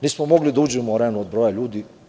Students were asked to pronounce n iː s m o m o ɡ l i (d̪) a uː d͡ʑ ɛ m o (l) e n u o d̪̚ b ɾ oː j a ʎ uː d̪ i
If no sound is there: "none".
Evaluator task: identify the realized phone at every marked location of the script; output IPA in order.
d̪, ɾ

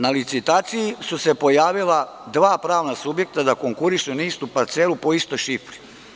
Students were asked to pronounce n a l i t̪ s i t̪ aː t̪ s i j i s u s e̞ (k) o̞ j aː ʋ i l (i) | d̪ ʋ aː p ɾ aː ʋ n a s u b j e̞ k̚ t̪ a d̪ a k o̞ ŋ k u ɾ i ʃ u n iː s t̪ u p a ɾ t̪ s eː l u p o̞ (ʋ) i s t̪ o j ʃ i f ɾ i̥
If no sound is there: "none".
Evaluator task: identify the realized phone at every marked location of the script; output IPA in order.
p, a, none

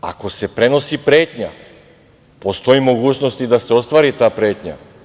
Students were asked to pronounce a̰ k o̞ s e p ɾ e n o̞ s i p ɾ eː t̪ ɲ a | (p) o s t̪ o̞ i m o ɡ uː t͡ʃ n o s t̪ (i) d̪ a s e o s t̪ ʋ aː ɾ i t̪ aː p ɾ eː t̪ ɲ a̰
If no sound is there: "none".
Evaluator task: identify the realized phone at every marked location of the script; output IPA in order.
p, i

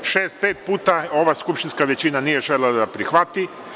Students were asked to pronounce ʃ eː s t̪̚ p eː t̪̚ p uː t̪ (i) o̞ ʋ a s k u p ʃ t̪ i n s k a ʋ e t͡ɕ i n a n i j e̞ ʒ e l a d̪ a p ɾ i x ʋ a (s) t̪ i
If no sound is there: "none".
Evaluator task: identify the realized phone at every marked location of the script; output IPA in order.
a, none

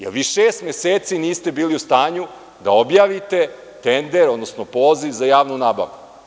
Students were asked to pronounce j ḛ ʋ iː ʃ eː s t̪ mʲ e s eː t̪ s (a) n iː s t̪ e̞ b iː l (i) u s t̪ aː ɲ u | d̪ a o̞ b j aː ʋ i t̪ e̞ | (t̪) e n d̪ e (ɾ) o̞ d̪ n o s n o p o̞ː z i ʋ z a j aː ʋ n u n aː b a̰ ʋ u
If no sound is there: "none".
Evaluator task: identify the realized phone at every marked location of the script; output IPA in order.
i, i, t̪, ɾ

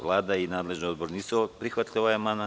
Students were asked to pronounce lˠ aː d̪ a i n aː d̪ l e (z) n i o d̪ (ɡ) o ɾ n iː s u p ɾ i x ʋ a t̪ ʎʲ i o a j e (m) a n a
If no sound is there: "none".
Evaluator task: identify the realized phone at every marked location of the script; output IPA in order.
ʒ, b, m

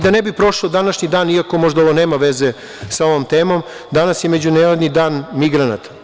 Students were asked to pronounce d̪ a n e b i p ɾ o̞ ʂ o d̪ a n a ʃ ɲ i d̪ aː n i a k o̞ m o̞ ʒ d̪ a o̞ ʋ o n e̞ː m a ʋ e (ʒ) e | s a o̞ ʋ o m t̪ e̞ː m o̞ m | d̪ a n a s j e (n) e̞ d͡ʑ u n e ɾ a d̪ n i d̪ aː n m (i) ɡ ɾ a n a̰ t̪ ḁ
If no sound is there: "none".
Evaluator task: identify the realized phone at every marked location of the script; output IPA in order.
z, m, i

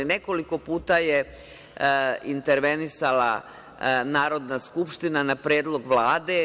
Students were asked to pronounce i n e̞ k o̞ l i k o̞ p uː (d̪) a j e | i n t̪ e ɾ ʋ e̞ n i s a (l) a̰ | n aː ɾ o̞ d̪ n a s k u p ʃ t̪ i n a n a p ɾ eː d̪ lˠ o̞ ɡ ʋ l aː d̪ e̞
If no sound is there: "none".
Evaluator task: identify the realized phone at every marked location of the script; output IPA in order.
t̪, l

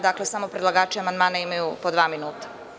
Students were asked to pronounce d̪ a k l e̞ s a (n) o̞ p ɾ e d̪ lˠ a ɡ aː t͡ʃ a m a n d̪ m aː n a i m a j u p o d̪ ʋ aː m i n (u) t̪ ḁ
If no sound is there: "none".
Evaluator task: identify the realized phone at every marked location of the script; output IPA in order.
m, uː

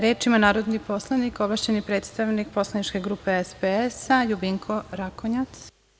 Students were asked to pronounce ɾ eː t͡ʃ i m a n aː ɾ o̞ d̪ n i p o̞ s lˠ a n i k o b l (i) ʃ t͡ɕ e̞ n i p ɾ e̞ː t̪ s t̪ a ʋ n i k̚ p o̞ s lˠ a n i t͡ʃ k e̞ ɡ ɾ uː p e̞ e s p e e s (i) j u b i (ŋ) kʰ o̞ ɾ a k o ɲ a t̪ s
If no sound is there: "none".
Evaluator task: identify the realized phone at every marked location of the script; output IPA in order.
a, a, ŋ

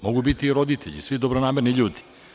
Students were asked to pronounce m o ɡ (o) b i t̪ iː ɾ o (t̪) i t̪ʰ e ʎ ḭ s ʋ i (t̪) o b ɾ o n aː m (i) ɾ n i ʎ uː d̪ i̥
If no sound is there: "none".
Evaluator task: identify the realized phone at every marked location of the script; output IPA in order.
u, d̪, d̪, e

